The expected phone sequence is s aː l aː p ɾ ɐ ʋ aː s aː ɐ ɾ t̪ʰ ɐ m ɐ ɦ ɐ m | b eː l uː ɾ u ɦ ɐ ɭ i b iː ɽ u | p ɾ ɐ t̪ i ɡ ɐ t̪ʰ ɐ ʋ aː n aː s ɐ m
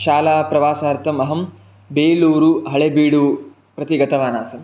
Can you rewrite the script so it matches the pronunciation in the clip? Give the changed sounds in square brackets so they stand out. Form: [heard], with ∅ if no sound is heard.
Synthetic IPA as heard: [ʃ] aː l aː p ɾ ɐ ʋ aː s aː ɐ ɾ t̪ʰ ɐ m ɐ ɦ ɐ m | b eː l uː ɾ u ɦ ɐ ɭ [e] b iː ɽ u | p ɾ ɐ t̪ i ɡ ɐ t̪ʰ ɐ ʋ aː n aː s ɐ m

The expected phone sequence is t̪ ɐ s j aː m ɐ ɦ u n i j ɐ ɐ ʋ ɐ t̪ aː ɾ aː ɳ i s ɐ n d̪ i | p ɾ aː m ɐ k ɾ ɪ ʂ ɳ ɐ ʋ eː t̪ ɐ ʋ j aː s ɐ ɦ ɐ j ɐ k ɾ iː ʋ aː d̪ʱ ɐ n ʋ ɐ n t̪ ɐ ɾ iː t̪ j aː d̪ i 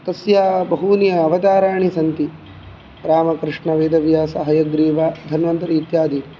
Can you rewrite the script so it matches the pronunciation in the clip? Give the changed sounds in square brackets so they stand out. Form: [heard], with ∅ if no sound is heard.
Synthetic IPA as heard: t̪ ɐ s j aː [b] ɐ ɦ u n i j ɐ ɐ ʋ ɐ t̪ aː ɾ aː ɳ i s ɐ n [t̪] i | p ɾ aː m ɐ k ɾ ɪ ʂ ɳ ɐ ʋ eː [d̪] ɐ ʋ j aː s ɐ ɦ ɐ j ɐ [ɡ] ɾ iː ʋ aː d̪ʱ ɐ n ʋ ɐ n t̪ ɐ ɾ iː t̪ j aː d̪ i

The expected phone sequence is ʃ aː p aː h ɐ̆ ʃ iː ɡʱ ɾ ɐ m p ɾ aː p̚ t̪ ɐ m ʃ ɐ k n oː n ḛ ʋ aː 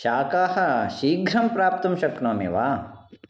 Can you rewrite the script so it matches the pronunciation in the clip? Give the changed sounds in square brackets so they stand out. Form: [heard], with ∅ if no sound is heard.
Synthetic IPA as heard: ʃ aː [k] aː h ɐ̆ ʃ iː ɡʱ ɾ ɐ m p ɾ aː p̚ t̪ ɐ m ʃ ɐ k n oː [m] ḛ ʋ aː

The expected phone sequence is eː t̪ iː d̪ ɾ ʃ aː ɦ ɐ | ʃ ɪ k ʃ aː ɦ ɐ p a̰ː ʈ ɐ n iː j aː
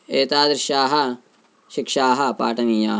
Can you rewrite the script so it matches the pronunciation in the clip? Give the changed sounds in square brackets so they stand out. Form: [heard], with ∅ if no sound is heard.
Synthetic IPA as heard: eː t̪ [aː] d̪ ɾ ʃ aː ɦ ɐ | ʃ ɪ k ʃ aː ɦ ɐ p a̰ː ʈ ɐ n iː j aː

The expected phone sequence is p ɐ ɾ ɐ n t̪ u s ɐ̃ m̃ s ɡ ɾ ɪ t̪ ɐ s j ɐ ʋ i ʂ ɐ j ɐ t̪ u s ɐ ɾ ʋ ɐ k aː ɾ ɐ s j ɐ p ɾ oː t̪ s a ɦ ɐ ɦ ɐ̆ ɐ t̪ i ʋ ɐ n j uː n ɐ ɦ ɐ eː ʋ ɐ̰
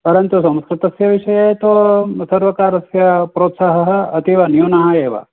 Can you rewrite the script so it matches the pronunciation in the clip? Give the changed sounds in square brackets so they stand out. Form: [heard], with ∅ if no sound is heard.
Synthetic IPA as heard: p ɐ ɾ ɐ n t̪ u s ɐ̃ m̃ s [k] ɾ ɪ t̪ ɐ s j ɐ ʋ i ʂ ɐ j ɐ t̪ [o] s ɐ ɾ ʋ ɐ k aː ɾ ɐ s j ɐ p ɾ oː t̪ s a ɦ ɐ ɦ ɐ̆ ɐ t̪ i ʋ ɐ n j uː n ɐ ɦ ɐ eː ʋ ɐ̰

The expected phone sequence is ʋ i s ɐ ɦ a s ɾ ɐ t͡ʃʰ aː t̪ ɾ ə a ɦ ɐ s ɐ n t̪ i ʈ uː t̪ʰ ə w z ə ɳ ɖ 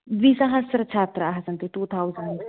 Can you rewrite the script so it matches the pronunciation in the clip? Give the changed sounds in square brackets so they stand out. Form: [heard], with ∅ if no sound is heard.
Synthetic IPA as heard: ʋ i s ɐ ɦ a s ɾ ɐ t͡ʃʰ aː t̪ ɾ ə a ɦ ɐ s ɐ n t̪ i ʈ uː t̪ʰ [a] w z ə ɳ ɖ

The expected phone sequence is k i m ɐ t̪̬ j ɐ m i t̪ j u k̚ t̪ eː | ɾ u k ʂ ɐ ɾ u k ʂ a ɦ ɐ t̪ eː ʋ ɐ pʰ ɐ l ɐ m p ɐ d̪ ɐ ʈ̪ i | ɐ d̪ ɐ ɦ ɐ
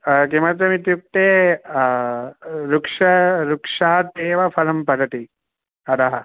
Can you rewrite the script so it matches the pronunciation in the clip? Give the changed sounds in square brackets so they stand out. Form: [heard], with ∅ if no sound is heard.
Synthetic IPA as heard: k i m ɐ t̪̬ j ɐ m i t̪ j u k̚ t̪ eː | ɾ u k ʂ ɐ ɾ u k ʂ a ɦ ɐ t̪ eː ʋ ɐ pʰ ɐ l ɐ m p ɐ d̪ ɐ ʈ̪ i | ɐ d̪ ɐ ɦ ɐ

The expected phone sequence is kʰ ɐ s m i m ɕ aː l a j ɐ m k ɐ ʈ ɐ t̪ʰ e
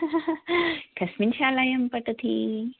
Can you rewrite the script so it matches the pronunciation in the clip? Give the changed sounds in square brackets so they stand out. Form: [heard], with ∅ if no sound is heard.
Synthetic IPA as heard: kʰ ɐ s m i [n] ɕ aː l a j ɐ m [p] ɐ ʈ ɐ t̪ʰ [i]

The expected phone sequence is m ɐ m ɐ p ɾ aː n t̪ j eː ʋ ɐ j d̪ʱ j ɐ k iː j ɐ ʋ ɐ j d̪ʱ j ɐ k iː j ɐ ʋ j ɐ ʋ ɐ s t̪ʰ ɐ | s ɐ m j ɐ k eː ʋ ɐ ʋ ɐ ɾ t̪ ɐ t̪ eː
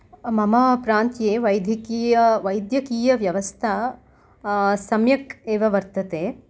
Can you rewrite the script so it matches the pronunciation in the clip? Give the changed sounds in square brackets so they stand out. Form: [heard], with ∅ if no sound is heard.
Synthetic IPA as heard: m ɐ m ɐ p ɾ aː n t̪ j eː ʋ ɐ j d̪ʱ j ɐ k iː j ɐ ʋ ɐ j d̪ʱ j ɐ k iː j ɐ ʋ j ɐ ʋ ɐ s t̪ʰ ɐ | s ɐ m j ɐ k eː ʋ ɐ ʋ ɐ ɾ t̪ ɐ t̪ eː

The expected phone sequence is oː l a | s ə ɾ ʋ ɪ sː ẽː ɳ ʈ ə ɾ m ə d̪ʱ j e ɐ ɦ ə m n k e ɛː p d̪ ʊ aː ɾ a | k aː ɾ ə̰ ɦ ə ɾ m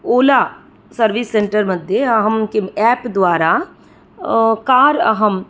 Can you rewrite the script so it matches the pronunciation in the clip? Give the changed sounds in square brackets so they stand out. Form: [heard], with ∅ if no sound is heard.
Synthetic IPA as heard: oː l a | s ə ɾ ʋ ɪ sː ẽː ɳ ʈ ə ɾ m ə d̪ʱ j e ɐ ɦ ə m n k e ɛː p d̪ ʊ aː ɾ a | k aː ɾ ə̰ ɦ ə [∅] m

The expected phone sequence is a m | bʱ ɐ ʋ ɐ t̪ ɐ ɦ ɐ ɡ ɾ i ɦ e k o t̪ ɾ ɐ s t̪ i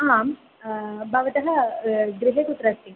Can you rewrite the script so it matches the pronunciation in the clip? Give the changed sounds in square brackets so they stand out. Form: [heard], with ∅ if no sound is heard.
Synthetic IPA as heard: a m | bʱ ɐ ʋ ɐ t̪ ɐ ɦ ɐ ɡ ɾ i ɦ e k [u] t̪ ɾ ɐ s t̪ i

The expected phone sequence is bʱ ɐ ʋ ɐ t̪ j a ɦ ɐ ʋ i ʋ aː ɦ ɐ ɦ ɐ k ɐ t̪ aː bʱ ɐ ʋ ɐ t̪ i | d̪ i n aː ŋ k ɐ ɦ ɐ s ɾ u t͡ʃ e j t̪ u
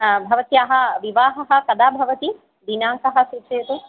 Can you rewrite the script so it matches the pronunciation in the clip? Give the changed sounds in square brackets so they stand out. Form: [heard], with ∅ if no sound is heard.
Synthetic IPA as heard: bʱ ɐ ʋ ɐ t̪ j a ɦ ɐ ʋ i ʋ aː ɦ ɐ ɦ ɐ k ɐ [d̪] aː bʱ ɐ ʋ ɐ t̪ i | d̪ i n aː ŋ k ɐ ɦ ɐ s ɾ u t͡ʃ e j t̪ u

